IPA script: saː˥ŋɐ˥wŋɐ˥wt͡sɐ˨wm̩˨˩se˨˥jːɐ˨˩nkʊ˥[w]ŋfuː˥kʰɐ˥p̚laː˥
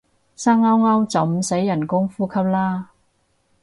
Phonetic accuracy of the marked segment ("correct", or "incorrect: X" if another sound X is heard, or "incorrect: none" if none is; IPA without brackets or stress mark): incorrect: none